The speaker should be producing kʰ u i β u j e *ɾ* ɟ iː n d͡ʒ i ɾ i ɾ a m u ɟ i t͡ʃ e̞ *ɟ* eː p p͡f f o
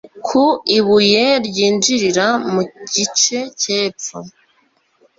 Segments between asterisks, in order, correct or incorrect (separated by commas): correct, incorrect